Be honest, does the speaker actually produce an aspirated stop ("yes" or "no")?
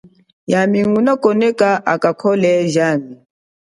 yes